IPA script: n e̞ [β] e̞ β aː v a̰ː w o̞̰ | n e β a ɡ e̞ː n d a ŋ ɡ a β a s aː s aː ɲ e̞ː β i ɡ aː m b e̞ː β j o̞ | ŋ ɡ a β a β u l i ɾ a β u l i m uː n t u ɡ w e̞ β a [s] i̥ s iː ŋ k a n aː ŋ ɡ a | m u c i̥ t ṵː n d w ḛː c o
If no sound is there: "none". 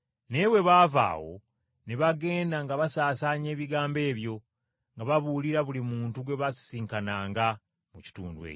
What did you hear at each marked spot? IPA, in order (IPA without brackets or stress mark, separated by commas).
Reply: w, s